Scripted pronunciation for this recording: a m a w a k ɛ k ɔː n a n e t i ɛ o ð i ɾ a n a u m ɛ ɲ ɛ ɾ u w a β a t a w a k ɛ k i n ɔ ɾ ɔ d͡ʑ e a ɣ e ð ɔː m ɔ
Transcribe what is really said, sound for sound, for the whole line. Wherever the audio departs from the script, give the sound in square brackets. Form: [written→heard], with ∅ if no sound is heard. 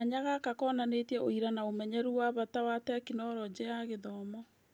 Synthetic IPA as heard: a [m→ɲ] a [w→ɣ] a k [ɛ→a] k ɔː n a n e t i ɛ o [ð→∅] i ɾ a n a [u→o] m ɛ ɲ ɛ ɾ u w a β a t a w a [k→t] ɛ k i n ɔ ɾ ɔ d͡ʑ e a ɣ e ð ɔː m ɔ